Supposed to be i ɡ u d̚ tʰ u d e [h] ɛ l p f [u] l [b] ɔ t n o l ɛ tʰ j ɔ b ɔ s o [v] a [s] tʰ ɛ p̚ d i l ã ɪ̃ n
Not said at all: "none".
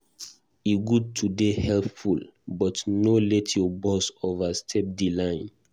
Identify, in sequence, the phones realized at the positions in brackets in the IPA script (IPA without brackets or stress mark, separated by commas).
h, u, b, v, s